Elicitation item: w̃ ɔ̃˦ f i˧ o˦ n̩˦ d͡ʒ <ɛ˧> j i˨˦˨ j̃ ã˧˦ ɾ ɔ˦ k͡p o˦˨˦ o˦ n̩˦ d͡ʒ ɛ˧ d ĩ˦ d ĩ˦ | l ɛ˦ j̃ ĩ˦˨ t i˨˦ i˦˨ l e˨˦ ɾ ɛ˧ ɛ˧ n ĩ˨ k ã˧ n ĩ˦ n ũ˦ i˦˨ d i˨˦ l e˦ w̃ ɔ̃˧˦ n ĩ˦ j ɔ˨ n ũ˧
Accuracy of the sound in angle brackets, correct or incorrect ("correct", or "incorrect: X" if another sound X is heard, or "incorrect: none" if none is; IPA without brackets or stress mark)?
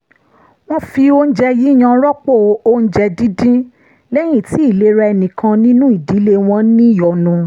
correct